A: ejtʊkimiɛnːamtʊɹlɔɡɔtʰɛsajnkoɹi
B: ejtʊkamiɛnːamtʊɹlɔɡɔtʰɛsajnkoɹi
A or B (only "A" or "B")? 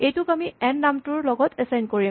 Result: B